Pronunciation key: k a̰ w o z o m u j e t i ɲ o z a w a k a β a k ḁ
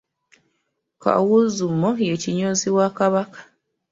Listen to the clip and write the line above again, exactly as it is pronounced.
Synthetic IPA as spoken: k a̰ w u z u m o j e c i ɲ o z i w a k a β a k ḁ